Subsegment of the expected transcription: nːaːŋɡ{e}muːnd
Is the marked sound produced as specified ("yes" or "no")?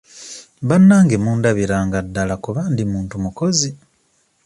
yes